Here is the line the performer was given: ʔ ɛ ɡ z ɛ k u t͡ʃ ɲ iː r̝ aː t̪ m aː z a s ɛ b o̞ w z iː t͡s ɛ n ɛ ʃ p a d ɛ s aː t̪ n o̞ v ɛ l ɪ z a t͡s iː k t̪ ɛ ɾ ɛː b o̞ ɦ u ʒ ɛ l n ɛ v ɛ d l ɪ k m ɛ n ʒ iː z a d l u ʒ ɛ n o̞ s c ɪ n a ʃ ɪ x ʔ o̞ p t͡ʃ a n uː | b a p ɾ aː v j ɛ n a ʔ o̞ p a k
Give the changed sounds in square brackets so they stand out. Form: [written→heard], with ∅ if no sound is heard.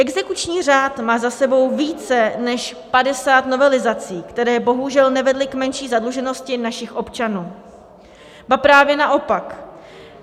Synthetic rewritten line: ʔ ɛ ɡ z ɛ k u t͡ʃ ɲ iː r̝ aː t̪ m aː z a s ɛ b o̞ w [z→v] iː t͡s ɛ n ɛ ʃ p a d ɛ s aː t̪ n o̞ v ɛ l ɪ z a t͡s iː k t̪ ɛ ɾ ɛː b o̞ ɦ u ʒ ɛ l n ɛ v ɛ d l ɪ k m ɛ n [ʒ→ʃ] iː z a d l u ʒ ɛ n o̞ s c ɪ n a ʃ ɪ x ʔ o̞ p t͡ʃ a n uː | b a p ɾ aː v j ɛ n a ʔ o̞ p a k